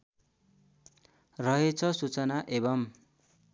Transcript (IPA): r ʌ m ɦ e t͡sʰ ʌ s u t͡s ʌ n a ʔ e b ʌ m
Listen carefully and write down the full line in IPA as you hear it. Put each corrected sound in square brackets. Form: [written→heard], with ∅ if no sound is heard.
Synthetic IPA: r ʌ [m→∅] ɦ e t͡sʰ ʌ s u t͡s ʌ n a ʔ e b ʌ m